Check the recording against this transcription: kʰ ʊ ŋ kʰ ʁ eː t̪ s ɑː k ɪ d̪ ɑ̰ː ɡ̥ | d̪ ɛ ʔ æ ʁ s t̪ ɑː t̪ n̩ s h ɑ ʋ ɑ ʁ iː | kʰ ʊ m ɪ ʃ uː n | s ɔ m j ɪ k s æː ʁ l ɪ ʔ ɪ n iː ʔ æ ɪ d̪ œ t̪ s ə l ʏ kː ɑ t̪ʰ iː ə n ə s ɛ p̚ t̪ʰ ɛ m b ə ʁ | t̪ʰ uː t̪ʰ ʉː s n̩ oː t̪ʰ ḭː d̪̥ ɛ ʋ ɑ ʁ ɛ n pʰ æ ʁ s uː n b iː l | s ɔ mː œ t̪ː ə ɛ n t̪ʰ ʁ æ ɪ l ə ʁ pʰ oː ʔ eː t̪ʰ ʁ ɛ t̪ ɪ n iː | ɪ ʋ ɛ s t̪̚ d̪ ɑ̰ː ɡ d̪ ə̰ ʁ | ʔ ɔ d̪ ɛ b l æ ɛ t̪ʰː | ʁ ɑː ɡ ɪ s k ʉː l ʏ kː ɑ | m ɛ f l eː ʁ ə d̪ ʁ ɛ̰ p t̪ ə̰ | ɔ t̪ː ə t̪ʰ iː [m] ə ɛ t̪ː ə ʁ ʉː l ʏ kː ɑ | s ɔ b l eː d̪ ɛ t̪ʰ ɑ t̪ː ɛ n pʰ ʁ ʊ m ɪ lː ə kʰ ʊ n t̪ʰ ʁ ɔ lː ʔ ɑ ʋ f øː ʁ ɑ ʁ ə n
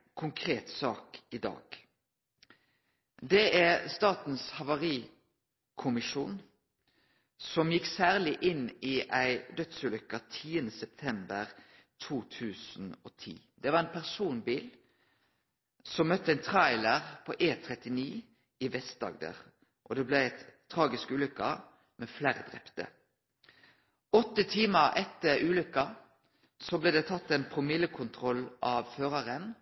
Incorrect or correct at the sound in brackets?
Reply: correct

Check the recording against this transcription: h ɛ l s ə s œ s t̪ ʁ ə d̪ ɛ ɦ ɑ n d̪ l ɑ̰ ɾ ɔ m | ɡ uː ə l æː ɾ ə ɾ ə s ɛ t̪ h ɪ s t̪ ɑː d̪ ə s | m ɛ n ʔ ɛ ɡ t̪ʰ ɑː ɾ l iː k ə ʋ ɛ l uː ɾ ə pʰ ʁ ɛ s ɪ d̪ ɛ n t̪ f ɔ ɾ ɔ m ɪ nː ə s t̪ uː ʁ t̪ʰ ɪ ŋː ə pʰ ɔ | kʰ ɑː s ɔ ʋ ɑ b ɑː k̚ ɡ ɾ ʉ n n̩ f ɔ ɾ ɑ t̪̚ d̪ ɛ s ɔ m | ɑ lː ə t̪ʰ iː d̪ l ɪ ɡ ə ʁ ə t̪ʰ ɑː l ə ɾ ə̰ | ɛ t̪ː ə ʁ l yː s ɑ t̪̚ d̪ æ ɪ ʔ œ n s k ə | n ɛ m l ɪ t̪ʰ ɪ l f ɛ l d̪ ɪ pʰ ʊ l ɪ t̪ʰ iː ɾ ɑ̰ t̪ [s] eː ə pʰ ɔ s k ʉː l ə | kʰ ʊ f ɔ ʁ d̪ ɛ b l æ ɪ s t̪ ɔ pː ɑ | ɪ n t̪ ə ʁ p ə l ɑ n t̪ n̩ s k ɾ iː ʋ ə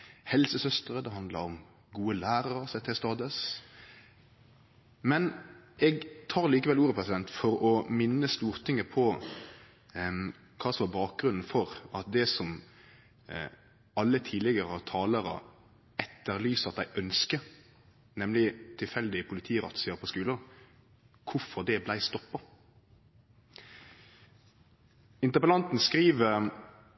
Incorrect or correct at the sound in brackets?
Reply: correct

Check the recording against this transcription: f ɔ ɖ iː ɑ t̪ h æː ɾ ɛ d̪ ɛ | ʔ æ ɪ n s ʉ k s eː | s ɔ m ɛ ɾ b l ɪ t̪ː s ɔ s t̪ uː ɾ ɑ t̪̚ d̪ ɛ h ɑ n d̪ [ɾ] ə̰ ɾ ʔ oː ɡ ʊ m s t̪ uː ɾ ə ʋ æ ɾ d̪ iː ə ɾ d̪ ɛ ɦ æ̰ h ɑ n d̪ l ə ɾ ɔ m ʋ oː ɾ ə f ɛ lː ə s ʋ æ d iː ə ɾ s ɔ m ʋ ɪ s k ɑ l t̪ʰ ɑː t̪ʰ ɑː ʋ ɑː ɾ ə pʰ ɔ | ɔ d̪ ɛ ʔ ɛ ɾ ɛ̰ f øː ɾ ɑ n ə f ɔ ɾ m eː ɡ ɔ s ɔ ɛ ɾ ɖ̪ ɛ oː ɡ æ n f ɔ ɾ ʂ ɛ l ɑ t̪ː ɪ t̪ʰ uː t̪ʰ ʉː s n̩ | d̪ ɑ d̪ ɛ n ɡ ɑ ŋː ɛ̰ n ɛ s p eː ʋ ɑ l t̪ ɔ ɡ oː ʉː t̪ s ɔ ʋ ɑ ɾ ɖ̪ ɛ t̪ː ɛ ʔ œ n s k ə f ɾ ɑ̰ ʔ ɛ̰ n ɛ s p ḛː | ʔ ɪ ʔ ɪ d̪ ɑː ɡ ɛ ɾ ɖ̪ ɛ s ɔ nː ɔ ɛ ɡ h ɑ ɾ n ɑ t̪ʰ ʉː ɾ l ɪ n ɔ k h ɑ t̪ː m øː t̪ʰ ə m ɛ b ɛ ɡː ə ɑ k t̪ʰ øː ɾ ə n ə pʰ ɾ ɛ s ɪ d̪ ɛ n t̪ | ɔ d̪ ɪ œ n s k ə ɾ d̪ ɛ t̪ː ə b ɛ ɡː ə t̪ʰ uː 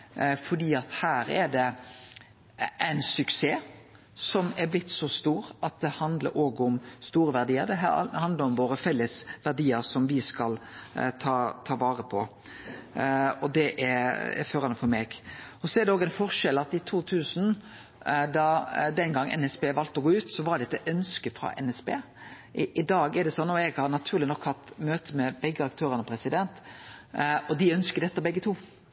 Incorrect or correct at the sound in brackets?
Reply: incorrect: l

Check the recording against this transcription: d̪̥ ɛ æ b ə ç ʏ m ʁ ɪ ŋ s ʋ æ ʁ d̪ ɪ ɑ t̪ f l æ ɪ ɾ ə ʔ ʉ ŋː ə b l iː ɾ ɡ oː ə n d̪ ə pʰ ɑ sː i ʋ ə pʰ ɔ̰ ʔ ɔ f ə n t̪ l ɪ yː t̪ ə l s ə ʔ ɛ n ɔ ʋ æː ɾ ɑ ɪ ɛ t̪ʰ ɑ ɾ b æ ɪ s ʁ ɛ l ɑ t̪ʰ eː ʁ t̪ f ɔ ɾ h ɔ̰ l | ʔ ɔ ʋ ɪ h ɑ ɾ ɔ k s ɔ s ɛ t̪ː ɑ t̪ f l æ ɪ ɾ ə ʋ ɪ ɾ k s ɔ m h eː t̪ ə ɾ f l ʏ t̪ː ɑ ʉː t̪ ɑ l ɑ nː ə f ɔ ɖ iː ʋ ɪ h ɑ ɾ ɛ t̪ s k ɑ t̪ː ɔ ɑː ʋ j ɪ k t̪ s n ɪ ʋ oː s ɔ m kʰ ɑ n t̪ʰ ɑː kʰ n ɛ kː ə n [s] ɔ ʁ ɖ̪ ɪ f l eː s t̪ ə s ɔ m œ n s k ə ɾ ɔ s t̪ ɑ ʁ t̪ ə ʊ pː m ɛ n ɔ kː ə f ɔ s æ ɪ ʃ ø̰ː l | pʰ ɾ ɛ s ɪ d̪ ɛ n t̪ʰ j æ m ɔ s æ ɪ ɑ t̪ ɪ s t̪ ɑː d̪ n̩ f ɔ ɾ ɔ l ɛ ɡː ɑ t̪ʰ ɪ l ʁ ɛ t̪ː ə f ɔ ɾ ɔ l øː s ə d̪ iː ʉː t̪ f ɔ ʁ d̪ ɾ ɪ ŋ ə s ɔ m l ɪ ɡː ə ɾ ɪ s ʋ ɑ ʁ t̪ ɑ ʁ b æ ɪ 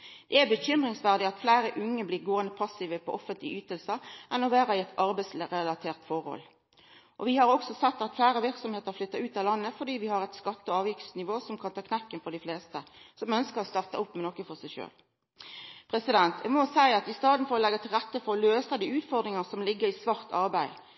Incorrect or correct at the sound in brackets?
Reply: incorrect: f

